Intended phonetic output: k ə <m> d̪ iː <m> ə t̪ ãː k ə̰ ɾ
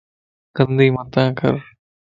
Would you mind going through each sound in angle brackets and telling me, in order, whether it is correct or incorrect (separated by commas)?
incorrect, correct